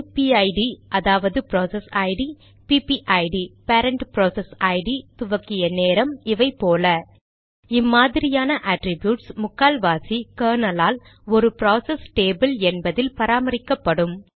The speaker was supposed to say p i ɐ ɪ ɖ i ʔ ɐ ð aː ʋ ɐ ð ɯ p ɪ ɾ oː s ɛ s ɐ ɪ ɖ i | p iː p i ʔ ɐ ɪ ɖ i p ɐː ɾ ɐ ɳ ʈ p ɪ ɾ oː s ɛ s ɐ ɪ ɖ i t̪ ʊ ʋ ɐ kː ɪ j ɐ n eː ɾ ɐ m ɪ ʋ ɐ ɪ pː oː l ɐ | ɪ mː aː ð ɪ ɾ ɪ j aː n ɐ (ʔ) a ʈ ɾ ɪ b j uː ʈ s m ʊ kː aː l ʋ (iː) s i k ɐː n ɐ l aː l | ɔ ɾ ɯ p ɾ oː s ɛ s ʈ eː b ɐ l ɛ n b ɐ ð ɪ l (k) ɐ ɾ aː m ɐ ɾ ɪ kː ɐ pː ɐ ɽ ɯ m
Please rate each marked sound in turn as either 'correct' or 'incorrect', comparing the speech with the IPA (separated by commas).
correct, incorrect, incorrect